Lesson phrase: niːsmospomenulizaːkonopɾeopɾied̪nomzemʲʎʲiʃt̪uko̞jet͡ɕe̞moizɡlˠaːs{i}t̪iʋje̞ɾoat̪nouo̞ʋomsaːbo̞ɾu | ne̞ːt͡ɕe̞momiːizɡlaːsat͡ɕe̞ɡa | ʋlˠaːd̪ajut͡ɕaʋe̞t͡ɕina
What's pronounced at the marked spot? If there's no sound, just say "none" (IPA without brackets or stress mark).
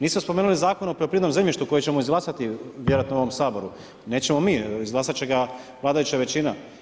a